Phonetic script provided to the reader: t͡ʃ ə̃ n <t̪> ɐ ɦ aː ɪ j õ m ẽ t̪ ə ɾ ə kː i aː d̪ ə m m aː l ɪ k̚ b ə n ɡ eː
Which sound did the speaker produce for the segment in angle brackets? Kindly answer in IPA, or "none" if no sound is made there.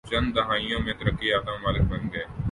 d̪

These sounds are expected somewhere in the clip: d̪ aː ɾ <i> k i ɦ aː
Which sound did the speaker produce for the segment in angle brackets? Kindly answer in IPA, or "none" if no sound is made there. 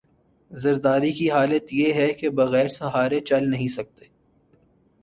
i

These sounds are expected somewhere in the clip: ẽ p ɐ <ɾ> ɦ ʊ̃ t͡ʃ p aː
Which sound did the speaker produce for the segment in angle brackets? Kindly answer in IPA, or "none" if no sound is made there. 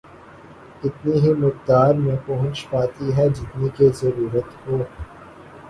none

